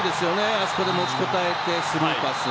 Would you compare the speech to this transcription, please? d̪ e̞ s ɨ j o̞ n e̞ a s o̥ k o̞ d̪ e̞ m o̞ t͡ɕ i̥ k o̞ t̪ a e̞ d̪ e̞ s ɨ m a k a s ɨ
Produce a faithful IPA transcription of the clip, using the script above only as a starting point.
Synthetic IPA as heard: d̪ e̞ s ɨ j o̞ n e̞ a s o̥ k o̞ d̪ e̞ m o̞ t͡ɕ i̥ k o̞ t̪ a e̞ t̪ e̞ s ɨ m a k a s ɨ